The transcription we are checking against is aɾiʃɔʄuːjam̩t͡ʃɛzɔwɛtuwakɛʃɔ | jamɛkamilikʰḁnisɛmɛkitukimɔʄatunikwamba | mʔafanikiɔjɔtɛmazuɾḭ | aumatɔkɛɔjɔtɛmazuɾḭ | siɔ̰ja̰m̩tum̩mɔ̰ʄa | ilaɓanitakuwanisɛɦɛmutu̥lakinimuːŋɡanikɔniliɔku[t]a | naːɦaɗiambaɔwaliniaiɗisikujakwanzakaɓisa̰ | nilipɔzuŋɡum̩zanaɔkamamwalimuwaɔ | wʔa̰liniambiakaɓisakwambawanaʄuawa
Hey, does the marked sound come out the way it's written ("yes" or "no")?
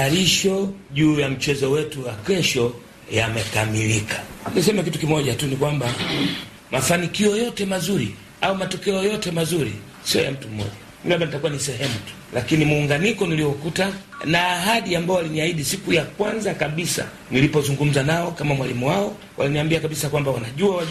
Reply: yes